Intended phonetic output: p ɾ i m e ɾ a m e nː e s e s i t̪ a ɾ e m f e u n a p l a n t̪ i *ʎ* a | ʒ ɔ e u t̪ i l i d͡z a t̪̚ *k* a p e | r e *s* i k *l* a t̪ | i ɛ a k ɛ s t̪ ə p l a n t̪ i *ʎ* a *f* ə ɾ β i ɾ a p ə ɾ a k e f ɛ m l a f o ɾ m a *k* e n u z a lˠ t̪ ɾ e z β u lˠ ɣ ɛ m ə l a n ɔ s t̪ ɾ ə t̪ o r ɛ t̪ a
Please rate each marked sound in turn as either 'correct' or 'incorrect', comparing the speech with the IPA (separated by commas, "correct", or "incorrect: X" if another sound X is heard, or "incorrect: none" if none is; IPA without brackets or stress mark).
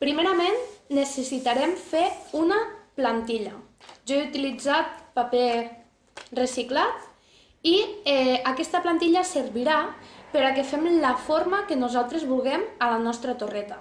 correct, incorrect: p, correct, correct, correct, incorrect: s, correct